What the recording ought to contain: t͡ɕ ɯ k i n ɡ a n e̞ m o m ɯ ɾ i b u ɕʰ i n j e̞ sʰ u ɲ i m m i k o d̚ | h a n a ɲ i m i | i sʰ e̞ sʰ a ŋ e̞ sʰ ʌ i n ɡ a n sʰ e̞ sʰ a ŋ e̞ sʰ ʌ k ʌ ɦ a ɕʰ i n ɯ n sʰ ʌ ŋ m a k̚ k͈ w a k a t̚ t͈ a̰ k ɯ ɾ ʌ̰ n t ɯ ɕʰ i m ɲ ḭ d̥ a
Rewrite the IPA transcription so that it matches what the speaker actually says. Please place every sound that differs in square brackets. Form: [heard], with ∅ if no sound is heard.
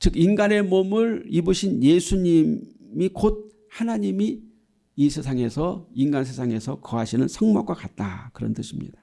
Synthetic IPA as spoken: t͡ɕ ɯ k i n ɡ a n e̞ m o m ɯ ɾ i b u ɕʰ i n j e̞ sʰ u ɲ i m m i k o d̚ | h a n a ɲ i m i | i sʰ e̞ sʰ a ŋ e̞ sʰ ʌ i n ɡ a n sʰ e̞ sʰ a ŋ e̞ sʰ ʌ k ʌ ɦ a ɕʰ i n ɯ n sʰ ʌ ŋ m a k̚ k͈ w a k a t̚ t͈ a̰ k ɯ ɾ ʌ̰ n t ɯ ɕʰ i m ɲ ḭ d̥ a